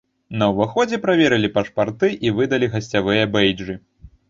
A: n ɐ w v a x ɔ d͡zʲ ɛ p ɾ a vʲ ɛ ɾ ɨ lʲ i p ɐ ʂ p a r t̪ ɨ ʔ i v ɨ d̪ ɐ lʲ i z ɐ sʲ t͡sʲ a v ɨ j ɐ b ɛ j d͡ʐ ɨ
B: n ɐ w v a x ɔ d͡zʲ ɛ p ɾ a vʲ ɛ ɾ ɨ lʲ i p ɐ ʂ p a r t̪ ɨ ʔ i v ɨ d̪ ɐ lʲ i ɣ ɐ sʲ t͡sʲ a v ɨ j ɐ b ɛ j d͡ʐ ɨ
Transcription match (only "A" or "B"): B